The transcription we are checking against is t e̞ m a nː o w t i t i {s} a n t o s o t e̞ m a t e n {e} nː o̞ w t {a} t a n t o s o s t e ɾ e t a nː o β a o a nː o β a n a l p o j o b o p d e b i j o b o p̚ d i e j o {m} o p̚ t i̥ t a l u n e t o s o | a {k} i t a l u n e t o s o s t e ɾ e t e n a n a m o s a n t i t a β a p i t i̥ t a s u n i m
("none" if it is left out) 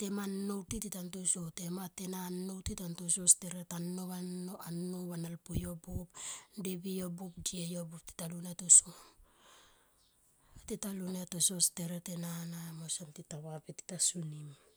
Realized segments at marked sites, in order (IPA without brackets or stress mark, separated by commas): t, a, i, b, t